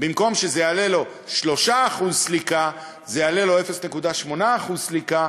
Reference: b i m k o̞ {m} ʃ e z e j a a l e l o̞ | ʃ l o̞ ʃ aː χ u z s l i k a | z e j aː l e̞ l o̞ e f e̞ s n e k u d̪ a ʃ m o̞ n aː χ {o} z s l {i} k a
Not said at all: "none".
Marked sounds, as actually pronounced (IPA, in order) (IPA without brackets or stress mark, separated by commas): m, u, i